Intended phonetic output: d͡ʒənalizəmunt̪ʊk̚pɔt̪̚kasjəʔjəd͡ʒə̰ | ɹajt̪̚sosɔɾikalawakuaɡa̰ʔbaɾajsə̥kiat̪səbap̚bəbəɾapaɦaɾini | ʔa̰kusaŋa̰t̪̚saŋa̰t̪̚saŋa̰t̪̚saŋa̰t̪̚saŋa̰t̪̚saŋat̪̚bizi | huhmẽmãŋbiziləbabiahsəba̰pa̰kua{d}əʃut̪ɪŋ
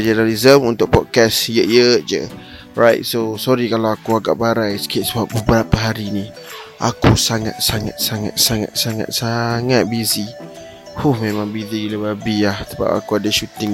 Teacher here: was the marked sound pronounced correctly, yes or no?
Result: yes